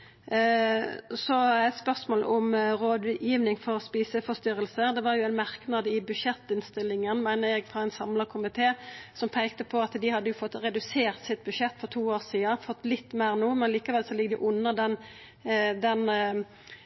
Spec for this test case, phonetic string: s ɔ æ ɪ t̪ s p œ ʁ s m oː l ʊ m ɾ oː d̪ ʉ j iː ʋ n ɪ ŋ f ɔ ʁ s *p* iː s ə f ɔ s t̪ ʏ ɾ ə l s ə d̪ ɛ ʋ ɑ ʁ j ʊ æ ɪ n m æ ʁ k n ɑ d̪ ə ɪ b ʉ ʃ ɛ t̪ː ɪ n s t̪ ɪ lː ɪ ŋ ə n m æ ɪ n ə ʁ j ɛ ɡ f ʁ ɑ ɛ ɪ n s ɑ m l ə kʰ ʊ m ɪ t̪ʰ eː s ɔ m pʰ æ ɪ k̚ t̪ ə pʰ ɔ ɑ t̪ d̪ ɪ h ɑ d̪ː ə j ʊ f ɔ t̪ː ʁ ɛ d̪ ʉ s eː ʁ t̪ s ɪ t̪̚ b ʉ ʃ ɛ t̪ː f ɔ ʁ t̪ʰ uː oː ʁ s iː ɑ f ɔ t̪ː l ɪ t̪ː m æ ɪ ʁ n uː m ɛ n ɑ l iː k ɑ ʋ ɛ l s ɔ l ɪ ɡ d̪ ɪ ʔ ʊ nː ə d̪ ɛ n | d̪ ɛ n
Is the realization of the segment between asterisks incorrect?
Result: no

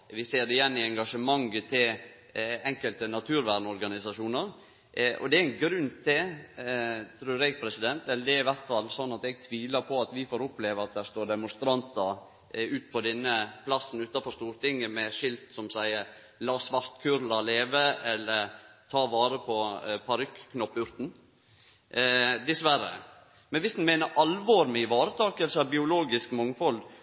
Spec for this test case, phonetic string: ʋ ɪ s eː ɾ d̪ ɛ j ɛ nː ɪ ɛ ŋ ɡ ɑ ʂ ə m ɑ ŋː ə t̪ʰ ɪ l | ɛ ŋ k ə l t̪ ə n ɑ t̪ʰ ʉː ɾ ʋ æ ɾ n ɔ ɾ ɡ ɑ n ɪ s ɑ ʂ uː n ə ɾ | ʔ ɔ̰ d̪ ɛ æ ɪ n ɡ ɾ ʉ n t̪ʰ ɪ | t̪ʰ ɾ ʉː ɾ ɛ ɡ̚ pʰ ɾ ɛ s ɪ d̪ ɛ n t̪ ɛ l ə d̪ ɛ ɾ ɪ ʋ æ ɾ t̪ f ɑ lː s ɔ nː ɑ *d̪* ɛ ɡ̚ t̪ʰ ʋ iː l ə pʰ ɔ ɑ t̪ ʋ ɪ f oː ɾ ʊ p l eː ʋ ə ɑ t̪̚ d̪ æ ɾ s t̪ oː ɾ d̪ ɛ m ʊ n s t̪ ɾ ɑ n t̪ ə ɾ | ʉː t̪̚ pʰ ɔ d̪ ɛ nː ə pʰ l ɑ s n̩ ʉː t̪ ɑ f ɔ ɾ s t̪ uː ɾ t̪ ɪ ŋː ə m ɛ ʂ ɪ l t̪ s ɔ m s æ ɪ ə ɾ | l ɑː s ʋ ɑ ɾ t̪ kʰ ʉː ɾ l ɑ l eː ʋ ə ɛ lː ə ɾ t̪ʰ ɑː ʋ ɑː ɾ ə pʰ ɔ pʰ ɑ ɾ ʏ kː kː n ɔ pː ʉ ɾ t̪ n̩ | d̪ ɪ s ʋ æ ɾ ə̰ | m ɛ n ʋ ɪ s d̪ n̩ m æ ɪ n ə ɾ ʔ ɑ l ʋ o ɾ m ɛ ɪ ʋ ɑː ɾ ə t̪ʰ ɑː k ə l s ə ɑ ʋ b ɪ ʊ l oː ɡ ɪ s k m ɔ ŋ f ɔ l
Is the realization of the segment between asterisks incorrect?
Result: yes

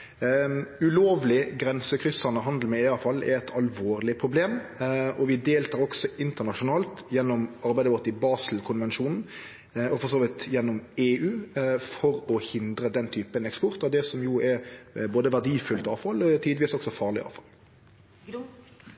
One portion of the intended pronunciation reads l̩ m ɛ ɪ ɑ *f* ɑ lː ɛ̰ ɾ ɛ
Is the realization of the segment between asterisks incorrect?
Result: no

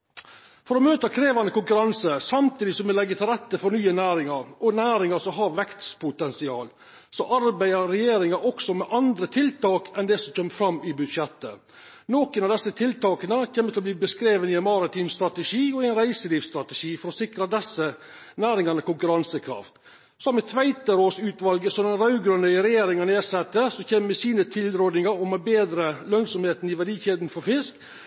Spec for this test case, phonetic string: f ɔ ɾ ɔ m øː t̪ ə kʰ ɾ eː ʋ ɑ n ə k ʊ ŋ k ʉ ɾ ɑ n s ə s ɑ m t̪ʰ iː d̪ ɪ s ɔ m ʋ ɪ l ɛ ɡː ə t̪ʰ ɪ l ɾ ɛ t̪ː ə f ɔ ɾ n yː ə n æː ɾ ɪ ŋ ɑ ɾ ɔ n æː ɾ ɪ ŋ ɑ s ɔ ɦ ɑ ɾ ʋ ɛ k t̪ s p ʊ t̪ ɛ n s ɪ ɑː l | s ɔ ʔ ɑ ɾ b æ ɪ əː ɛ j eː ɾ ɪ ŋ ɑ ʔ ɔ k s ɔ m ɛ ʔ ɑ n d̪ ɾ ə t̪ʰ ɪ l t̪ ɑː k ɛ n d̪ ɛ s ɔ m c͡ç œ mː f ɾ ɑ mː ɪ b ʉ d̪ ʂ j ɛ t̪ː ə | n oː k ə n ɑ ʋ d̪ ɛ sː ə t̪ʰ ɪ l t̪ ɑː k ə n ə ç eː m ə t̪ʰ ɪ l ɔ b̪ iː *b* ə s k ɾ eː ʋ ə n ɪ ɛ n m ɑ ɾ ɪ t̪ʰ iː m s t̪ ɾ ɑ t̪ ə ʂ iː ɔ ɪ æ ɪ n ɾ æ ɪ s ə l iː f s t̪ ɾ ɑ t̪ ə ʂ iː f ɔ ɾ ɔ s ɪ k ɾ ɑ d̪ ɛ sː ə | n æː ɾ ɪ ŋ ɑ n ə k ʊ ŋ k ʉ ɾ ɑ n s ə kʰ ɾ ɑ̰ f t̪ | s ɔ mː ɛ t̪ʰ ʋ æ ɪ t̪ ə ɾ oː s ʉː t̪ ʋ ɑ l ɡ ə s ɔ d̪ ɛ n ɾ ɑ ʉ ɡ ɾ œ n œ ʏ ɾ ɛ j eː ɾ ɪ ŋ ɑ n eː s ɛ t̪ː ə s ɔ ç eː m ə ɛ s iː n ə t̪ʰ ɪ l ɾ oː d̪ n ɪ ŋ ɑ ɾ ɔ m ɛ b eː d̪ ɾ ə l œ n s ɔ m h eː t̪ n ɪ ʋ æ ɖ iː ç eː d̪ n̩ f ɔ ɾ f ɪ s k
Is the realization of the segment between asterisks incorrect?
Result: no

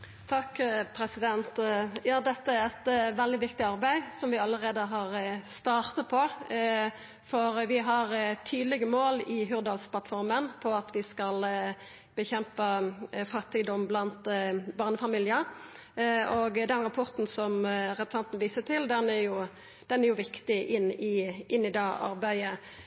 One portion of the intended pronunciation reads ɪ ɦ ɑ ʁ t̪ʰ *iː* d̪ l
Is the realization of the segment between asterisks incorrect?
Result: yes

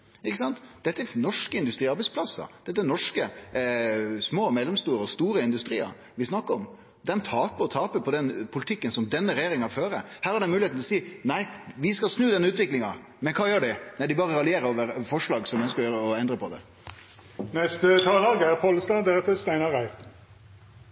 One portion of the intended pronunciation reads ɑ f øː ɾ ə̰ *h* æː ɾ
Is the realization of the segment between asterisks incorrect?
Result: no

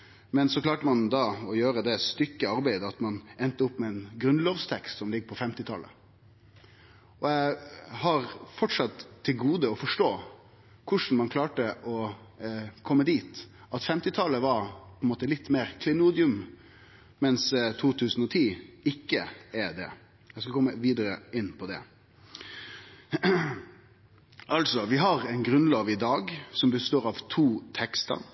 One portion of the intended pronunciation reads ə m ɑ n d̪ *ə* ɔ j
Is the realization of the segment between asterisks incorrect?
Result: yes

